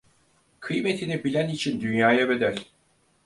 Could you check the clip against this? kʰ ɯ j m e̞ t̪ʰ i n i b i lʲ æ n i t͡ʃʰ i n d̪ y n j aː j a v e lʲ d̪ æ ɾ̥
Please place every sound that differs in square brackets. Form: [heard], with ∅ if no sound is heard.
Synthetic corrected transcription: kʰ ɯ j m e̞ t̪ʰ i n i b i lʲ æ n i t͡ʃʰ i n d̪ y n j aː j a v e [∅] d̪ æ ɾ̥

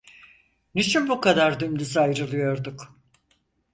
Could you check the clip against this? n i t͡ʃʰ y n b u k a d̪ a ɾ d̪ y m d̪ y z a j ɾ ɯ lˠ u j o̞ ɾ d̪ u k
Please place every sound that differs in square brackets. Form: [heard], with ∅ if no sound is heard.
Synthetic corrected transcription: n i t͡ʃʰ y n b u k a d̪ a ɾ d̪ y m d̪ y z a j ɾ ɯ lˠ [ɯ] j o̞ ɾ d̪ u k

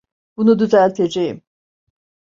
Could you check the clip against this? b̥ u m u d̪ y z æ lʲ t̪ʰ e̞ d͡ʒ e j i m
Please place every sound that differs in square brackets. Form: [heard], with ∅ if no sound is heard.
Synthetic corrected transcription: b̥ u [n] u d̪ y z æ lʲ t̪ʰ e̞ d͡ʒ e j i m

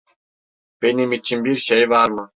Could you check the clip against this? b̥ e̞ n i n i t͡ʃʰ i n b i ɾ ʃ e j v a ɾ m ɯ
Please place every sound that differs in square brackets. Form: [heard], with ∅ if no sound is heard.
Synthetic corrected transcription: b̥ e̞ n i [m] i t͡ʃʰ i n b i ɾ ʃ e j v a ɾ m ɯ

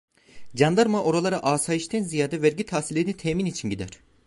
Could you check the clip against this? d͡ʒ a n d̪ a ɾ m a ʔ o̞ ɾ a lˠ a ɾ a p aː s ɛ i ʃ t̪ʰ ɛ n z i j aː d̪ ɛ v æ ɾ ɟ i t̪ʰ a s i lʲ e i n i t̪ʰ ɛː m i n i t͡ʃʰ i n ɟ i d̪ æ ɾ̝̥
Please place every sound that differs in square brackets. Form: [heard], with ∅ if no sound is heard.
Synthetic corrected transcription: d͡ʒ a n d̪ a ɾ m a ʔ o̞ ɾ a lˠ a ɾ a [ʔ] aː s [a] i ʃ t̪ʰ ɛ n z i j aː d̪ ɛ v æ ɾ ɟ i t̪ʰ a s i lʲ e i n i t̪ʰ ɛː m i n i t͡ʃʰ i n ɟ i d̪ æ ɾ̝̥

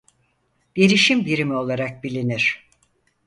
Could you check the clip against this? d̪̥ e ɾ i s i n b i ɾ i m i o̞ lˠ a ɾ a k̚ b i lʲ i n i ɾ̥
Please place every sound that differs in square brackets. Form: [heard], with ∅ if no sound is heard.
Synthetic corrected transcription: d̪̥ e ɾ i [ʃ] i [m] b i ɾ i m i o̞ lˠ a ɾ a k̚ b i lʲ i n i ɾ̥

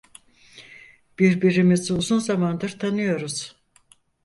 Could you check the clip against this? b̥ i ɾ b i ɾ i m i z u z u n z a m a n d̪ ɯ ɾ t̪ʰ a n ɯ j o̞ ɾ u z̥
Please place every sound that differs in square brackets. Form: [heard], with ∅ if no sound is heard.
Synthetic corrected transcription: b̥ i ɾ b i ɾ i m i z u z u n z a m a n d̪ ɯ ɾ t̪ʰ a n ɯ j o̞ ɾ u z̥

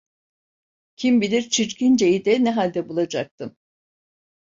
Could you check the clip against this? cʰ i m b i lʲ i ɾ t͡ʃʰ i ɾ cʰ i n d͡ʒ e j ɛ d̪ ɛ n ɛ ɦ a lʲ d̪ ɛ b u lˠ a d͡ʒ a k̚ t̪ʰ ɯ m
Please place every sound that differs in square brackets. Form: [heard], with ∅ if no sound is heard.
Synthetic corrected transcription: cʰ i m b i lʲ i ɾ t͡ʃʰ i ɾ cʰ i n d͡ʒ e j [i] d̪ ɛ n ɛ ɦ a lʲ d̪ ɛ b u lˠ a d͡ʒ a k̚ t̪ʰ ɯ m

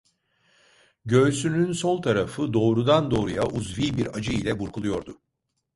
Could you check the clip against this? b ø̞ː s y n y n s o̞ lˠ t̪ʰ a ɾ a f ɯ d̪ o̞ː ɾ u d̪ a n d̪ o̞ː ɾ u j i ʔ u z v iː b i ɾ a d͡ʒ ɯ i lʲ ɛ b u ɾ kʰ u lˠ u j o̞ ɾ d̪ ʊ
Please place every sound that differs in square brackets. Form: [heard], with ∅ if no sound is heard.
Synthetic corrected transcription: [ɟ] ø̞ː s y n y n s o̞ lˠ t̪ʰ a ɾ a f ɯ d̪ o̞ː ɾ u d̪ a n d̪ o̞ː ɾ u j [a] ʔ u z v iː b i ɾ a d͡ʒ ɯ i lʲ ɛ b u ɾ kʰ u lˠ u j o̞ ɾ d̪ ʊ

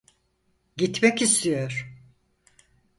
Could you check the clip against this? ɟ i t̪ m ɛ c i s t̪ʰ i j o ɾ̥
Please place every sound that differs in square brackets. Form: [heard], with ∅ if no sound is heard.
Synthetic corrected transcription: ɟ i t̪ m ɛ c i s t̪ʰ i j o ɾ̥

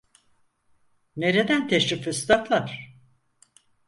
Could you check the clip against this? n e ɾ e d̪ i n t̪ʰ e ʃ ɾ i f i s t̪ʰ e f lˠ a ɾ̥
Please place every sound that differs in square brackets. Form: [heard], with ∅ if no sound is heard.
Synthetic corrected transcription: n e ɾ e d̪ [æ] n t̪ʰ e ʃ ɾ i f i s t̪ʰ [a] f lˠ a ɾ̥

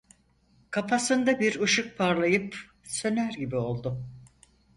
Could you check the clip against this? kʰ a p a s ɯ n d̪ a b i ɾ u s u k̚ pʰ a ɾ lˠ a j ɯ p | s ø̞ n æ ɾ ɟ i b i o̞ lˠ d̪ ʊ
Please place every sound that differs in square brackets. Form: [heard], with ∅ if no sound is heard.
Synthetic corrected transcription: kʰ a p a s ɯ n d̪ a b i ɾ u [ʃ] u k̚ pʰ a ɾ lˠ a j ɯ p | s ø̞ n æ ɾ ɟ i b i o̞ lˠ d̪ ʊ

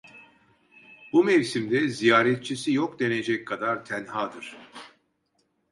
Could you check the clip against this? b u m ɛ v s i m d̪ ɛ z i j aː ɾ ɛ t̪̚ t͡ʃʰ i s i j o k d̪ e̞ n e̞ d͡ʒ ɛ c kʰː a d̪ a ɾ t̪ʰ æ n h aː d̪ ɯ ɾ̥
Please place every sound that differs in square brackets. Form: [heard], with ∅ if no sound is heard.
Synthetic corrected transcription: b u m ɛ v s i m d̪ ɛ z i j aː ɾ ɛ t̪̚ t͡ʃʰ i s i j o k d̪ e̞ n e̞ d͡ʒ ɛ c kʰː a d̪ a ɾ t̪ʰ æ n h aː d̪ ɯ ɾ̥

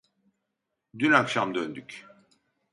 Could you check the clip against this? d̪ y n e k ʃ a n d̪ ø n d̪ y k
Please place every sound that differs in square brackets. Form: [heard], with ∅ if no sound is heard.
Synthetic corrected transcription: d̪ y n [a] k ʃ a [m] d̪ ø n d̪ y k

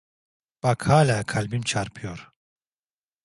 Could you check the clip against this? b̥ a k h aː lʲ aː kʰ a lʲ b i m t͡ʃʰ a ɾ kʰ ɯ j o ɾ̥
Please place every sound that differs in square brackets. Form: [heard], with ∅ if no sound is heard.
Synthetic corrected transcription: b̥ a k h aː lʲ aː kʰ a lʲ b i m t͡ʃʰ a ɾ [pʰ] ɯ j o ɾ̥

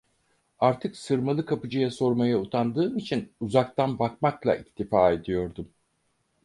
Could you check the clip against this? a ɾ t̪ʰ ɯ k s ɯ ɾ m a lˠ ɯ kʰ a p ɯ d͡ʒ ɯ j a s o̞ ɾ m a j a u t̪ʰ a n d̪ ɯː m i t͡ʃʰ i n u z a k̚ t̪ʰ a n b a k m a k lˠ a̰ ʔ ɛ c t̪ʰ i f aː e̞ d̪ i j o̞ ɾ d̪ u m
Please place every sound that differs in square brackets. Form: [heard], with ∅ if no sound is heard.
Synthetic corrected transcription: a ɾ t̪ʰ ɯ k s ɯ ɾ m a lˠ ɯ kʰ a p ɯ d͡ʒ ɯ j a s o̞ ɾ m a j a u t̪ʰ a n d̪ ɯː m i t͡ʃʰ i n u z a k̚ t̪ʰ a n b a k m a k lˠ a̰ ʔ [i] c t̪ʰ i f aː e̞ d̪ i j o̞ ɾ d̪ u m

